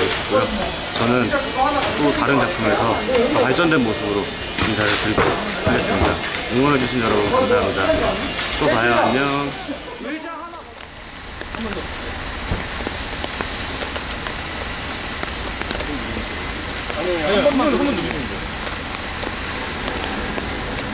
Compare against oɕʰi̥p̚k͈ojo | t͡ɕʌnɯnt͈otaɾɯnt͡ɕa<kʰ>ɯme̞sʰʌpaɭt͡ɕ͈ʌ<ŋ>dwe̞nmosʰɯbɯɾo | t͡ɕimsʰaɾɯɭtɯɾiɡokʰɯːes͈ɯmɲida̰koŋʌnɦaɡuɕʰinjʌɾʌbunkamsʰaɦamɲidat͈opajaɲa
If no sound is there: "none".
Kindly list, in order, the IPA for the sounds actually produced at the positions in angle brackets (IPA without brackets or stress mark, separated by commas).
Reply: pʰ, n